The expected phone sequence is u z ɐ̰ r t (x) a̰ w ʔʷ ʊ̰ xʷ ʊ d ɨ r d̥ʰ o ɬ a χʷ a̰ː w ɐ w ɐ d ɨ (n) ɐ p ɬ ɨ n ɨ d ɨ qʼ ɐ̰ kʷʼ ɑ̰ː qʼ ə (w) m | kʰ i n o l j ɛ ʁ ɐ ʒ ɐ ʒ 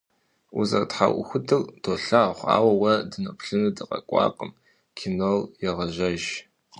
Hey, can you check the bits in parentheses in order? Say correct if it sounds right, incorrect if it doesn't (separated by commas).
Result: incorrect, correct, incorrect